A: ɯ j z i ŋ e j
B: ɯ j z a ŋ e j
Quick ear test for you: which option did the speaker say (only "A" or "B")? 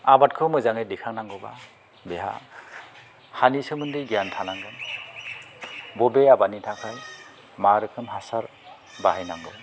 B